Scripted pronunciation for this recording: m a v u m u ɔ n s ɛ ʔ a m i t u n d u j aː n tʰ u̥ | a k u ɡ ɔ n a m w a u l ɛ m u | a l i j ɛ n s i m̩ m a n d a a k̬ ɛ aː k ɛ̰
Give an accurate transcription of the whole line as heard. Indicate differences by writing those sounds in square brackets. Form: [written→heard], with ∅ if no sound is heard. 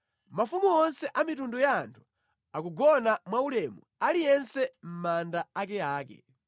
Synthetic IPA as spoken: m a [v→f] u m u ɔ n s ɛ ʔ a m i t u n d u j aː n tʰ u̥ | a k u ɡ ɔ n a m w a u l ɛ m u | a l i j ɛ n s [i→ɛ] m̩ m a n d a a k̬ ɛ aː k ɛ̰